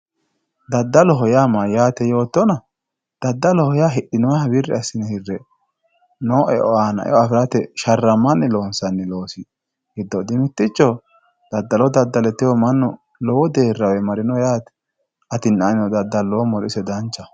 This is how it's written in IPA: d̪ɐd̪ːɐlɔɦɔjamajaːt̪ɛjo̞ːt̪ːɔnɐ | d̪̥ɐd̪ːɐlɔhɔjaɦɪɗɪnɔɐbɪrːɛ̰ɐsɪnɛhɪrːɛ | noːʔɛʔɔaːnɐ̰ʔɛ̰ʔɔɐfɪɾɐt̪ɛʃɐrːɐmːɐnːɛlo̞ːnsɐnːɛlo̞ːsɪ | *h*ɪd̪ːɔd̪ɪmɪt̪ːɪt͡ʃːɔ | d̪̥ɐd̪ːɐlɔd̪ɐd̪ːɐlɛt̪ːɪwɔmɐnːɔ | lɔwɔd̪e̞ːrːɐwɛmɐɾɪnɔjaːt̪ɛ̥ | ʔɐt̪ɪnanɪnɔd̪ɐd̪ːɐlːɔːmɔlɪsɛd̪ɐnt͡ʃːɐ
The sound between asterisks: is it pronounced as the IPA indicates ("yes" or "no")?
yes